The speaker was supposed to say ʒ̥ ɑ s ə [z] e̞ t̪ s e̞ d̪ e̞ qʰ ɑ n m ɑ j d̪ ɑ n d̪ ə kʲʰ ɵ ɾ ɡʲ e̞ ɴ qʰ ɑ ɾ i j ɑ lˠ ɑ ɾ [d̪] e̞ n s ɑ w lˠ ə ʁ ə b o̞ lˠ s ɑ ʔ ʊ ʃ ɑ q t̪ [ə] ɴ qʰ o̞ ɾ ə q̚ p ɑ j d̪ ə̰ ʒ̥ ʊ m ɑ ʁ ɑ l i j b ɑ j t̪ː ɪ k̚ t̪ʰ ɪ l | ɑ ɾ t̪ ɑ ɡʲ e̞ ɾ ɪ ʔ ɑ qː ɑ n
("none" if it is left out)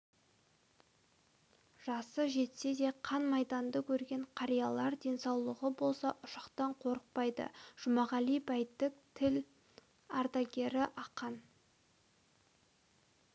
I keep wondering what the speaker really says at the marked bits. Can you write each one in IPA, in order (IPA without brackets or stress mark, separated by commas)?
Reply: ʒ, d̪, ɑ